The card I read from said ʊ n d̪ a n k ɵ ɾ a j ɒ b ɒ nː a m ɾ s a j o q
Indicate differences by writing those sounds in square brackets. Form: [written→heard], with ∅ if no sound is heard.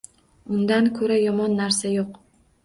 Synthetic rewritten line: ʊ n d̪ a n [k→kʰ] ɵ ɾ a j ɒ [b→m] ɒ nː a [m→∅] ɾ s a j o q